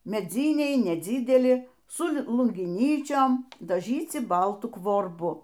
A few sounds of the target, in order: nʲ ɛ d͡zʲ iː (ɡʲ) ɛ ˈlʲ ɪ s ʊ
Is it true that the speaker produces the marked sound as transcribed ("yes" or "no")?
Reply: no